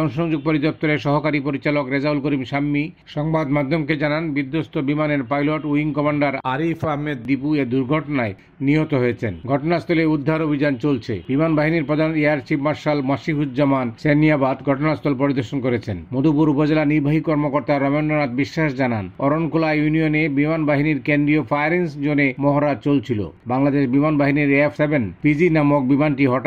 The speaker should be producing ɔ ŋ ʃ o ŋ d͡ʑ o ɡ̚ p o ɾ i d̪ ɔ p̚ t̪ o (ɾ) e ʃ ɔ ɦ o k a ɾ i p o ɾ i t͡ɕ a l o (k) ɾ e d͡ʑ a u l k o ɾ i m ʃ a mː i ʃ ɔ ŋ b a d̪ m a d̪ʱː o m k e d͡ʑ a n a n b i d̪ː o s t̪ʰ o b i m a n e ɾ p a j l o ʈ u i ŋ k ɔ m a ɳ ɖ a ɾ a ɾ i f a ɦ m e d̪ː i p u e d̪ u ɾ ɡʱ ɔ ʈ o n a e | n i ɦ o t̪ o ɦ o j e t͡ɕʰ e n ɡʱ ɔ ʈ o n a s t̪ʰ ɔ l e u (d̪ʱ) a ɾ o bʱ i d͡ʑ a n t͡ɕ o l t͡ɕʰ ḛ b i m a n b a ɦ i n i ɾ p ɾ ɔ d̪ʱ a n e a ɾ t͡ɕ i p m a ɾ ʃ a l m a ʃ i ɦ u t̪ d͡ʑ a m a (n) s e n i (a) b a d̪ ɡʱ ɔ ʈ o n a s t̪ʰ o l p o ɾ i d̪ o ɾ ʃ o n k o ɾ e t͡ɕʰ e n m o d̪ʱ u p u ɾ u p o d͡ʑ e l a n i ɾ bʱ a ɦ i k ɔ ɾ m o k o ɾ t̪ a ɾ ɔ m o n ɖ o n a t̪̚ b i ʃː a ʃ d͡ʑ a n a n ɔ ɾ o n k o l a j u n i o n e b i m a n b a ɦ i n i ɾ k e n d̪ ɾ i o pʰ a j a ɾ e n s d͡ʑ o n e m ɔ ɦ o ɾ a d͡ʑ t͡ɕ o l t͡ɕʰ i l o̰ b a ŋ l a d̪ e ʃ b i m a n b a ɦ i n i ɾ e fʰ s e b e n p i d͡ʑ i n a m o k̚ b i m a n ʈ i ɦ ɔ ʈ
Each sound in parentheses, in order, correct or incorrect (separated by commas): correct, correct, incorrect, correct, correct